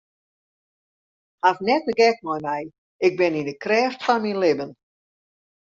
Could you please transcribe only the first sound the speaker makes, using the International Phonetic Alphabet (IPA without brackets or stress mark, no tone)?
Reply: h